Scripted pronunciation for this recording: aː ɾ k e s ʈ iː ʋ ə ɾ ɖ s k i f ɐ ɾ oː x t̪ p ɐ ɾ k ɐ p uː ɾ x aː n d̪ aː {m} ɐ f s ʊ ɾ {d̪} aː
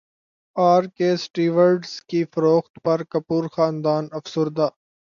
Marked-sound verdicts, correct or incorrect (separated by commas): incorrect, correct